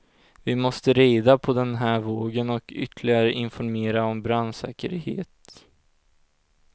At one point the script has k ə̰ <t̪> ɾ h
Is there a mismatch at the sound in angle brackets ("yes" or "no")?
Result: yes